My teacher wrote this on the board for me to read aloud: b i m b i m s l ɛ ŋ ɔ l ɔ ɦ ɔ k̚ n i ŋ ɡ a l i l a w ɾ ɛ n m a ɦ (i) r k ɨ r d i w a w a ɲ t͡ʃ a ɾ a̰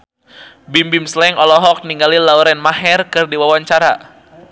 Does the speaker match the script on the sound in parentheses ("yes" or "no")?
no